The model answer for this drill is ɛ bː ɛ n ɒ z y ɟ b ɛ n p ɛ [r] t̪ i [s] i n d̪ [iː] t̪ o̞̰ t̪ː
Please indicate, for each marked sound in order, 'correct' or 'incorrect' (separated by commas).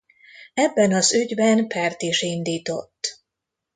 correct, incorrect, correct